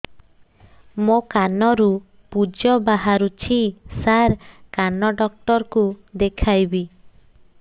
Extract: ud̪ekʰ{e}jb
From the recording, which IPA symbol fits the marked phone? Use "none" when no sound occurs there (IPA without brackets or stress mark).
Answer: a